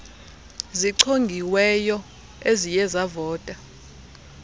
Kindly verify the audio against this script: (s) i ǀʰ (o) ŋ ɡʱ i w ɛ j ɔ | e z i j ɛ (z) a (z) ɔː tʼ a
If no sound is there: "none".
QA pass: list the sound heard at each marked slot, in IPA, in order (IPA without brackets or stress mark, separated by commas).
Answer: z, o, z, v